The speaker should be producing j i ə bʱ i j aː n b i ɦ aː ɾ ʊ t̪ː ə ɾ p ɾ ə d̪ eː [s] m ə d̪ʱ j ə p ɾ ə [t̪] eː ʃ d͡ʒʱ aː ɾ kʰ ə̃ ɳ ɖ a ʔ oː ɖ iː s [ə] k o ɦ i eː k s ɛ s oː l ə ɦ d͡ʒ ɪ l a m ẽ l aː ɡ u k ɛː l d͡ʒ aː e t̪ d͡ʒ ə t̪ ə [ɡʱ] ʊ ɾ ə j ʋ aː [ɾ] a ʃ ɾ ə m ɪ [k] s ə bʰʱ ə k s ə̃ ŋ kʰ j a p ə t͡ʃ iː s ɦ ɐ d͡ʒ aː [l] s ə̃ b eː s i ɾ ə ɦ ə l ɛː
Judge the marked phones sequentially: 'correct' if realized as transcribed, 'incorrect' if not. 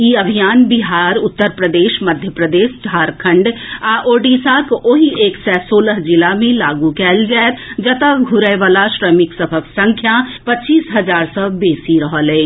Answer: incorrect: ʃ, incorrect: d̪, incorrect: a, correct, incorrect: l, correct, incorrect: ɾ

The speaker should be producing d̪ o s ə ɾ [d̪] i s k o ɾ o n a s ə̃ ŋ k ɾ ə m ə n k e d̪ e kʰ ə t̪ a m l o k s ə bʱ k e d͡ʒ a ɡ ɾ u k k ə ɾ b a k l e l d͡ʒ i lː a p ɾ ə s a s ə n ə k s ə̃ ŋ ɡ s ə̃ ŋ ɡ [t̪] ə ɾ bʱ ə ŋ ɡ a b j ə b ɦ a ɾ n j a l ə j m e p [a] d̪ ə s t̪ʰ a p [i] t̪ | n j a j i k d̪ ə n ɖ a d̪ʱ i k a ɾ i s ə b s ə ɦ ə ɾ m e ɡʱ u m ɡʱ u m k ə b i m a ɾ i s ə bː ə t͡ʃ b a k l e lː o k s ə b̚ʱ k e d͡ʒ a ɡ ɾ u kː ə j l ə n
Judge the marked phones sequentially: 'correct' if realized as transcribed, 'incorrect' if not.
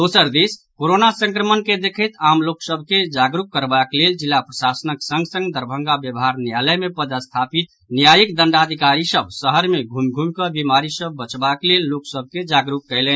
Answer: correct, incorrect: d̪, incorrect: ə, correct

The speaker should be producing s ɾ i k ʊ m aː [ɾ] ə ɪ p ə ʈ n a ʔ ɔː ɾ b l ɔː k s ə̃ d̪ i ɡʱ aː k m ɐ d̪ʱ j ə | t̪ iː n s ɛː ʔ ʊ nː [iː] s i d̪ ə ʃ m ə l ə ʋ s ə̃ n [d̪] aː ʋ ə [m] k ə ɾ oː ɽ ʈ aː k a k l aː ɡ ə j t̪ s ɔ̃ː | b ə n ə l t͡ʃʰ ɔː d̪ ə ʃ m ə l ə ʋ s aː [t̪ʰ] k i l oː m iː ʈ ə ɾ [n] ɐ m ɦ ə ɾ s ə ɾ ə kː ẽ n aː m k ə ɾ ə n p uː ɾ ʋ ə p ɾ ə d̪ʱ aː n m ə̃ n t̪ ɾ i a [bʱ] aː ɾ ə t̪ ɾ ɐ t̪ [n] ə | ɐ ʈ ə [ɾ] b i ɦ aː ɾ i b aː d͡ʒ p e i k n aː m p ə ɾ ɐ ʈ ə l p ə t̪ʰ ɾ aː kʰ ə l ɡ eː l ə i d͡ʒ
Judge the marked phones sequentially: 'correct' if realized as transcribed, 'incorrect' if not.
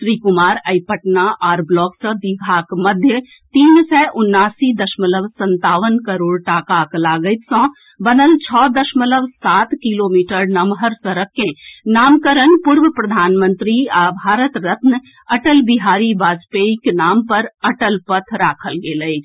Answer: correct, incorrect: aː, incorrect: t̪, incorrect: n, incorrect: t̪, correct, correct, correct, incorrect: l

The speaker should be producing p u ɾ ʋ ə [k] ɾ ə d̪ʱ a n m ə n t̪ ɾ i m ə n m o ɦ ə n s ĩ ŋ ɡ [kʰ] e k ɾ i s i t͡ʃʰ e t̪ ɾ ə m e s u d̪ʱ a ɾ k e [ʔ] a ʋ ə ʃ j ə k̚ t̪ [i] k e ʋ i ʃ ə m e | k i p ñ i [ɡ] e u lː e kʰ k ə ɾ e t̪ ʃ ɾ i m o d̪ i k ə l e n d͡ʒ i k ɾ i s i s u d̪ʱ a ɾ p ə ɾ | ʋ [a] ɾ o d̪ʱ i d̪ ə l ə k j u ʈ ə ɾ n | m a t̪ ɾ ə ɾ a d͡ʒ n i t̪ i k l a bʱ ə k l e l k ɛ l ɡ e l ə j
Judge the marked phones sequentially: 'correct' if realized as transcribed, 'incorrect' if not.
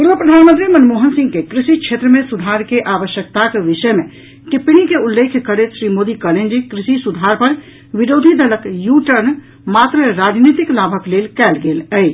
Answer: incorrect: p, incorrect: k, correct, incorrect: a, incorrect: k, incorrect: i

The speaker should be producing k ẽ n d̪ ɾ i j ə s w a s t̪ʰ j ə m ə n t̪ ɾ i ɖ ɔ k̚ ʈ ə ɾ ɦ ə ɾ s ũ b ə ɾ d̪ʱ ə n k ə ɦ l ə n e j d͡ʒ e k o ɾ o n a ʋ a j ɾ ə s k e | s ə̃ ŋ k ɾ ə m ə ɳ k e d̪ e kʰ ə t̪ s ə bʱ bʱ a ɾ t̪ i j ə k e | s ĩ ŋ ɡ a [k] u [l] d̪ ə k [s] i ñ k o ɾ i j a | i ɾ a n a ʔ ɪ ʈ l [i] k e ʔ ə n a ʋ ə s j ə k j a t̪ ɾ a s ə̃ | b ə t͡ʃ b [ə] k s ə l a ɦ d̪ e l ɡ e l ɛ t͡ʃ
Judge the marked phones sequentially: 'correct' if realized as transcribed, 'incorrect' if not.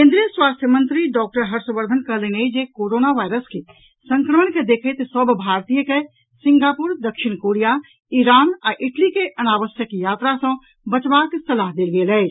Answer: incorrect: p, incorrect: ɾ, incorrect: ʃ, correct, incorrect: a

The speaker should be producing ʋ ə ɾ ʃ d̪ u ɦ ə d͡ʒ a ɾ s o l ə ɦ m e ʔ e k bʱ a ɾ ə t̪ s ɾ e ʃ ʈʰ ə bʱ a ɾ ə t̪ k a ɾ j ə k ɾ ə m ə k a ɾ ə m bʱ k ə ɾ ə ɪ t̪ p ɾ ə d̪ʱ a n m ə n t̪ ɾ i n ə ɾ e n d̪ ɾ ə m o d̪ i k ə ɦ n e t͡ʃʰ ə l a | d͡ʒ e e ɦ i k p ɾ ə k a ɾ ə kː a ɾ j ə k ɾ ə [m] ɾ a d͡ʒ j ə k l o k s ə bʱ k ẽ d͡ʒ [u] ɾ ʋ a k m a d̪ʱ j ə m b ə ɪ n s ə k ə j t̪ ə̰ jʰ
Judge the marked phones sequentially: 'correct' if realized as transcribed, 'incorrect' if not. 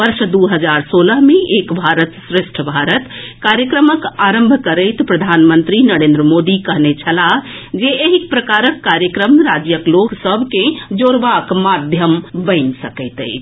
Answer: correct, incorrect: o

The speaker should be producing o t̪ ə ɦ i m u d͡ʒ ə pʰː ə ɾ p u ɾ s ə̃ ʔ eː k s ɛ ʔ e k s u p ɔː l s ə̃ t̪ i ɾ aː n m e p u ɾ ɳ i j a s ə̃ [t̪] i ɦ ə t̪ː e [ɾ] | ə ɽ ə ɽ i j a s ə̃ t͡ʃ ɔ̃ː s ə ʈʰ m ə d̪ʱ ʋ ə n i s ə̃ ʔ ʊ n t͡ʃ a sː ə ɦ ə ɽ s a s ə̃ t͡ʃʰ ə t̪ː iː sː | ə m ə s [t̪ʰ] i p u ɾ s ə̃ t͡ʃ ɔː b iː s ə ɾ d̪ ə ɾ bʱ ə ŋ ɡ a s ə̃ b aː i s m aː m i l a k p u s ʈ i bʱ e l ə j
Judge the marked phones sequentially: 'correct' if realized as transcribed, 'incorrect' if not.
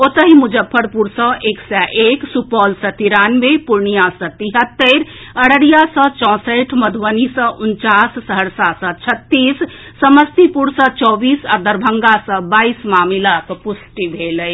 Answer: correct, correct, incorrect: t̪

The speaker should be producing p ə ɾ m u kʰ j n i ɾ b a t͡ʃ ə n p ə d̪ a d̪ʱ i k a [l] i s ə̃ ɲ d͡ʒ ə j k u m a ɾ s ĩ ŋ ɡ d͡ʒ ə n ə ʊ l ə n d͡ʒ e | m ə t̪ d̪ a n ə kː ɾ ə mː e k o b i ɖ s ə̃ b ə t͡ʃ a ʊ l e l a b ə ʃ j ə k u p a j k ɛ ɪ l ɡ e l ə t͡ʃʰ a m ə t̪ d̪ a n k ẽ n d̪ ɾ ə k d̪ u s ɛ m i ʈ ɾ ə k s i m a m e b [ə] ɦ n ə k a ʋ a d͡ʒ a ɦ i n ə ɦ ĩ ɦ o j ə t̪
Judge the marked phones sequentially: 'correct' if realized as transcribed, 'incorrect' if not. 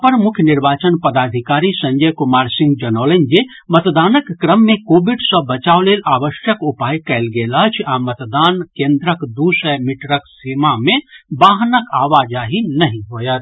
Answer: incorrect: ɾ, incorrect: a

